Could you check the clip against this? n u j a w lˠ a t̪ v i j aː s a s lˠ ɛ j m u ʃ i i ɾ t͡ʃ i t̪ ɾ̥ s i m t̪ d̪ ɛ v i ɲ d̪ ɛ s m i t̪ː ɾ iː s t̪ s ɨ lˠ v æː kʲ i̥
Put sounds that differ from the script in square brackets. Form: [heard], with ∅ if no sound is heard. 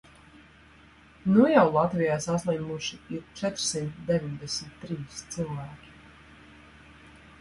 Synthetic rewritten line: n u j a w lˠ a t̪ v i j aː s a s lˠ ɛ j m u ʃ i i ɾ t͡ʃ [ɛ] t̪ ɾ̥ s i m t̪ d̪ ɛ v i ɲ d̪ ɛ s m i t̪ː ɾ iː s t̪ s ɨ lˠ v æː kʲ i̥